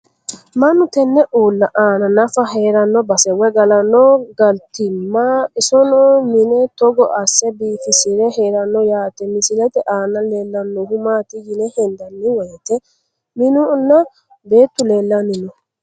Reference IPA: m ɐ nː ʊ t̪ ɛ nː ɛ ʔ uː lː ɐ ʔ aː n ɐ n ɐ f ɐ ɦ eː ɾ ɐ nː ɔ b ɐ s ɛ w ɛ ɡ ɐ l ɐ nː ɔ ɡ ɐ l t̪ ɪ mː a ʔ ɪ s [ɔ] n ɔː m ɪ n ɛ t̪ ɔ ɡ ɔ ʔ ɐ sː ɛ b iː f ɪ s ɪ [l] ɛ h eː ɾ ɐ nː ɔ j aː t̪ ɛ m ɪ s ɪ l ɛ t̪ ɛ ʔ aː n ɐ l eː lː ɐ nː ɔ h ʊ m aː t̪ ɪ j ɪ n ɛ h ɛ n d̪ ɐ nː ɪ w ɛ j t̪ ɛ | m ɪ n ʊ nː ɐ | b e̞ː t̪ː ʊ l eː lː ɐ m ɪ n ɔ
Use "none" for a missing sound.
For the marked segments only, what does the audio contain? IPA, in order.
ɔ, ɾ

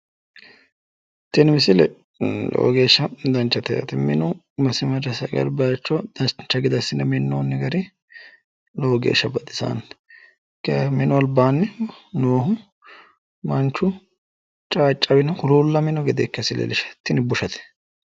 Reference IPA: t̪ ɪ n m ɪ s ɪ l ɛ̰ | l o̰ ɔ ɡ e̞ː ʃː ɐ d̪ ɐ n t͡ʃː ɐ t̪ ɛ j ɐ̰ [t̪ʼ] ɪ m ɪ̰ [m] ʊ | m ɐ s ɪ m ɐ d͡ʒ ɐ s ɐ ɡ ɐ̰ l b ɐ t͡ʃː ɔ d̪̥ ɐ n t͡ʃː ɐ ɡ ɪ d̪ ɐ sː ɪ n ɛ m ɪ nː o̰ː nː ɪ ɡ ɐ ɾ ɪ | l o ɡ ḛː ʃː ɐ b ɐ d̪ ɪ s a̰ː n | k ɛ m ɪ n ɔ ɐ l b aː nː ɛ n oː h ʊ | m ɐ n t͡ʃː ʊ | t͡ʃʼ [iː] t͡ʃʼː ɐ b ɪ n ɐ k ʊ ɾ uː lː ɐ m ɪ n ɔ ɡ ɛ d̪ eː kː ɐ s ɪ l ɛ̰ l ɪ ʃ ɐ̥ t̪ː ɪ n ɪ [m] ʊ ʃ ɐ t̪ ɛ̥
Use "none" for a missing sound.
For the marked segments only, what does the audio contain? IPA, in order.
t̪, n, aː, b

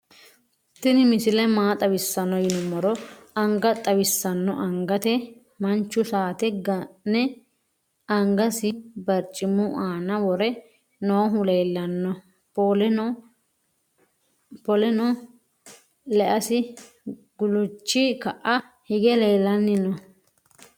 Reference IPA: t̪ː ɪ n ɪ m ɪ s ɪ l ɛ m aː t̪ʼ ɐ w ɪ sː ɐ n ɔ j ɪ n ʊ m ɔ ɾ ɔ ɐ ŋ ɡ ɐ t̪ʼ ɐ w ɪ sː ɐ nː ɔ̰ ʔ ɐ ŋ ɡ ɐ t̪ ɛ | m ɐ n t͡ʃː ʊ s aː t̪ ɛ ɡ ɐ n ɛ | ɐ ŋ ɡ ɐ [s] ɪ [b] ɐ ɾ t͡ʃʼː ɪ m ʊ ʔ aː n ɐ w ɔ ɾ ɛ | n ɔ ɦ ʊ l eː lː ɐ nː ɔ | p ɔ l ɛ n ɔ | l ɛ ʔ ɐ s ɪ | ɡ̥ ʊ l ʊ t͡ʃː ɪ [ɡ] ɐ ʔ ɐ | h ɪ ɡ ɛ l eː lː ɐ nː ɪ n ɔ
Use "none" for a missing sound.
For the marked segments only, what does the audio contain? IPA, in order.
s, b, k

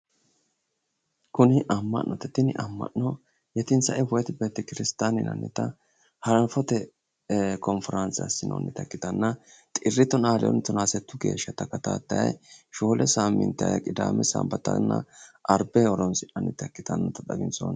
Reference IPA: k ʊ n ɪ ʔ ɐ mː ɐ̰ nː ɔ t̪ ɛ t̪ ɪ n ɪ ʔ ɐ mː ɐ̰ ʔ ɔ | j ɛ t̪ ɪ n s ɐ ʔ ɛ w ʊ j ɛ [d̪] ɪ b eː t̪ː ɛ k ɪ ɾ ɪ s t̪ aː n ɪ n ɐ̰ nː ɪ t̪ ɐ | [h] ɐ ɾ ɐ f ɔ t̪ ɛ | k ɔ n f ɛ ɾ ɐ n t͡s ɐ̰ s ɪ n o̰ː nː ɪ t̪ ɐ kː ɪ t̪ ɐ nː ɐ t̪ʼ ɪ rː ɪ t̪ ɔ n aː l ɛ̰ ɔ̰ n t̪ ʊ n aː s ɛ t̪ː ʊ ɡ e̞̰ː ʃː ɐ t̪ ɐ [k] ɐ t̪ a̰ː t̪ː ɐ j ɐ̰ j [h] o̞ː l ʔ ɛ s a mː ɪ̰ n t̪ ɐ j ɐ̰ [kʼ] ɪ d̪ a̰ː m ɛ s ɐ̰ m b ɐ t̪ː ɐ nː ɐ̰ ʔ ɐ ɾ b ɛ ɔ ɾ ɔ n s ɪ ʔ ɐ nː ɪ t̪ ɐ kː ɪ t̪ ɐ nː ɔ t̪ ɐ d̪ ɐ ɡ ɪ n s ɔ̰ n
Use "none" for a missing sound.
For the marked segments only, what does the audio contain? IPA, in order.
t̪, h, k, ʃ, kʼ

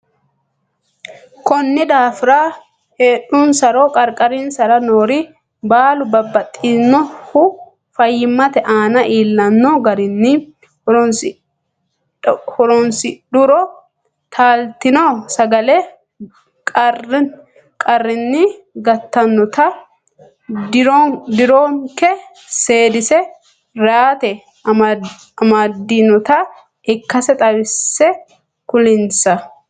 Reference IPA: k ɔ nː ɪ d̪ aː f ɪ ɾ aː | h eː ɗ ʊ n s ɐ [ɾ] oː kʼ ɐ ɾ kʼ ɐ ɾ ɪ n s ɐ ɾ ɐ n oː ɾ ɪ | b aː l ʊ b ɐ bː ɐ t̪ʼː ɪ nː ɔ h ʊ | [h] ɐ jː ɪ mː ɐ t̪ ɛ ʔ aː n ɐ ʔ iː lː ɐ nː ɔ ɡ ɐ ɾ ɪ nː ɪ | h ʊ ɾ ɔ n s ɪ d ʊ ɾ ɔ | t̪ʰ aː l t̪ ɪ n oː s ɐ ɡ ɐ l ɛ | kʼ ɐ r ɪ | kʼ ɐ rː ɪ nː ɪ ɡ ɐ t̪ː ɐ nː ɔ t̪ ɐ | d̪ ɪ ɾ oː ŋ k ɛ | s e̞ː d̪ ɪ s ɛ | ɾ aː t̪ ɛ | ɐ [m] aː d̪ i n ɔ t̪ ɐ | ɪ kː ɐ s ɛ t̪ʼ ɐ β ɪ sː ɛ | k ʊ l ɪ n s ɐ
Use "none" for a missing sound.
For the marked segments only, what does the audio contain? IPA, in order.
ɾ, f, m

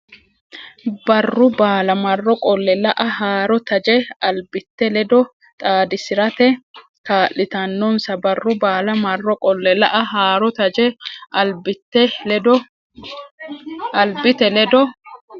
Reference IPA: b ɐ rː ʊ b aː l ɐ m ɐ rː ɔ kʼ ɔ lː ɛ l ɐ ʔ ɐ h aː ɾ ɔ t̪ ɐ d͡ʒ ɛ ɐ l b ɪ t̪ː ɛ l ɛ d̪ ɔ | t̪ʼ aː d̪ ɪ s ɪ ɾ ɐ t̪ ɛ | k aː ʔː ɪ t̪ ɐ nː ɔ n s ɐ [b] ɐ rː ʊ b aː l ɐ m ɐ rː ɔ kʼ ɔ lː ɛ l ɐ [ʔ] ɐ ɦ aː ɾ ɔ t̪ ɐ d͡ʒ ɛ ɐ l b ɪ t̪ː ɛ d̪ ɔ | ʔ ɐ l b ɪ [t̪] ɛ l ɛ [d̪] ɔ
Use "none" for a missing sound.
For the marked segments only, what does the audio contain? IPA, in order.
b, ʔ, t̪, d̪

